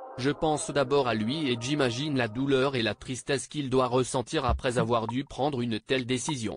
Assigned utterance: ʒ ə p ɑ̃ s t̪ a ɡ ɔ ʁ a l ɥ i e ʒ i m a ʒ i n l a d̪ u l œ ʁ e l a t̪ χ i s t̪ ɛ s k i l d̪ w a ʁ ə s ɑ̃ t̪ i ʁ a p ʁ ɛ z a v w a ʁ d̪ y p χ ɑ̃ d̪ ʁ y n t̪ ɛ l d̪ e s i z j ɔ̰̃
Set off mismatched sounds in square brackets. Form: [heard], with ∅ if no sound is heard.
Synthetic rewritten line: ʒ ə p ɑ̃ s [d̪] a [b] ɔ ʁ a l ɥ i e ʒ i m a ʒ i n l a d̪ u l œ ʁ e l a t̪ χ i s t̪ ɛ s k i l d̪ w a ʁ ə s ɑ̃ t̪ i ʁ a p [χ] ɛ z a v w a ʁ d̪ y p χ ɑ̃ d̪ ʁ y n t̪ ɛ l d̪ e s i z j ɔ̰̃